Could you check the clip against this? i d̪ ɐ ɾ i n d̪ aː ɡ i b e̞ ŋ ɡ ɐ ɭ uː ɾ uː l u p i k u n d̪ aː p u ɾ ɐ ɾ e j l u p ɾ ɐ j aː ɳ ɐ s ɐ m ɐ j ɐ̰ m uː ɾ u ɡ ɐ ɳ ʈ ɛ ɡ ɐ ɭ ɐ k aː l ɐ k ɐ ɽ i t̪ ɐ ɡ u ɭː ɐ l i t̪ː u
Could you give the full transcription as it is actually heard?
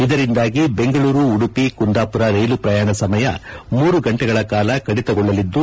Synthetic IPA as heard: i d̪ ɐ ɾ i n d̪ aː ɡ i b e̞ ŋ ɡ ɐ ɭ uː ɾ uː ɽ u p i k u n d̪ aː p u ɾ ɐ ɾ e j l u p ɾ ɐ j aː ɳ ɐ s ɐ m ɐ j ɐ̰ m uː ɾ u ɡ ɐ ɳ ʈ ɛ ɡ ɐ ɭ ɐ k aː l ɐ k ɐ ɽ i t̪ ɐ ɡ ɔ ɭː ɐ l i d̪ː u